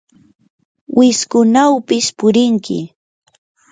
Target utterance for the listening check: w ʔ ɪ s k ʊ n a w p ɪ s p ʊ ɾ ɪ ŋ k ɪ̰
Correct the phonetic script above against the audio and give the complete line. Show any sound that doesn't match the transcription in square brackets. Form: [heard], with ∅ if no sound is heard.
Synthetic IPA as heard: w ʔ ɪ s k ʊ n a w p ɪ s p ʊ ɾ ɪ ŋ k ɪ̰